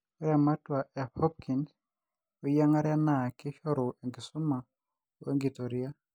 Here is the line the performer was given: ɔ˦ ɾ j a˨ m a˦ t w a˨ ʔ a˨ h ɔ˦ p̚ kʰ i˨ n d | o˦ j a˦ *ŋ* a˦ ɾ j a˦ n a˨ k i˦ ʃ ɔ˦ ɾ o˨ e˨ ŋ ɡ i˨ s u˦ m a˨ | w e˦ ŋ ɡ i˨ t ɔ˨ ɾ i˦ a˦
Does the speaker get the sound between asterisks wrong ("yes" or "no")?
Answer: no